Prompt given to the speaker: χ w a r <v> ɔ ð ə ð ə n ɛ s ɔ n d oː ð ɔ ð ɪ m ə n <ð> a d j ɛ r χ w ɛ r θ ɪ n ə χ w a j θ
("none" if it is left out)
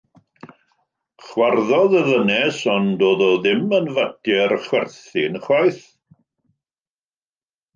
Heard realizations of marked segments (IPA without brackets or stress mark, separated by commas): ð, v